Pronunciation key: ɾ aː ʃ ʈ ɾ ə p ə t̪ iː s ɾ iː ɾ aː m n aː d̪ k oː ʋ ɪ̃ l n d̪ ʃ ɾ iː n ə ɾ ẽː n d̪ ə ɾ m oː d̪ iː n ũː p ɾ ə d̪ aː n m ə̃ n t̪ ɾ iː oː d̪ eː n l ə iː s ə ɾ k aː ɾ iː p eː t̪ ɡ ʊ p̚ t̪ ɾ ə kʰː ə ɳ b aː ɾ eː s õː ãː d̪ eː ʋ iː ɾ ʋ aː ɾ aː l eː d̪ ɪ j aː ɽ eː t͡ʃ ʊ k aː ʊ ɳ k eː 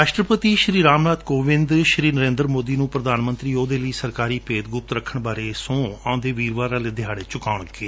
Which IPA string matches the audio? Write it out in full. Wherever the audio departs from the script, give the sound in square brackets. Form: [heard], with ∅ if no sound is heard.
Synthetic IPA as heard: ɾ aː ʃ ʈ ɾ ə p ə t̪ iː [ʃ] ɾ iː ɾ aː m n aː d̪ k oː ʋ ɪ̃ [∅] n d̪ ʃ ɾ iː n ə ɾ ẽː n d̪ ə ɾ m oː d̪ iː n ũː p ɾ ə d̪ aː n m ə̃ n t̪ ɾ iː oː d̪ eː [∅] l ə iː s ə ɾ k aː ɾ iː p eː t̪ ɡ ʊ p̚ t̪ ɾ ə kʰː ə ɳ b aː ɾ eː s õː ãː d̪ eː ʋ iː ɾ ʋ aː ɾ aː l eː d̪ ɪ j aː ɽ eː t͡ʃ ʊ k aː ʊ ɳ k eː